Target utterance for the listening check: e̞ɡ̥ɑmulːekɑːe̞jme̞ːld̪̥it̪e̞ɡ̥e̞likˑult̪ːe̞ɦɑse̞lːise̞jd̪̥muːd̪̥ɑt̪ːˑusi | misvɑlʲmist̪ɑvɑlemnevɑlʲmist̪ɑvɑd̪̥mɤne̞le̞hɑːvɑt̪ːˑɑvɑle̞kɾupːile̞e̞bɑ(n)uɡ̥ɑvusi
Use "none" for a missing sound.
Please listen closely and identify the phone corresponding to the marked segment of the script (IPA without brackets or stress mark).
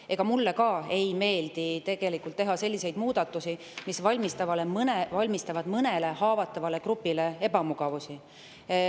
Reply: m